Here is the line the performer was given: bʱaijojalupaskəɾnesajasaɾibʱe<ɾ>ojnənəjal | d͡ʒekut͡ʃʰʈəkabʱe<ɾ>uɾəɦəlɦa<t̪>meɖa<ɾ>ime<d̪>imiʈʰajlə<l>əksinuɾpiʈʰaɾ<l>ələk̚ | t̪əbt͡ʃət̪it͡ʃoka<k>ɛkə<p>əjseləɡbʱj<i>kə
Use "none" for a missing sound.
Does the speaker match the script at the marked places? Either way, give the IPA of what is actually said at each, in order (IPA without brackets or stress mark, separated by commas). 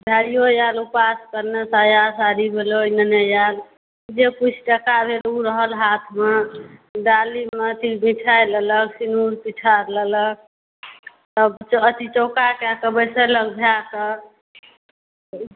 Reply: l, l, t̪ʰ, l, t̪, l, l, k, b, a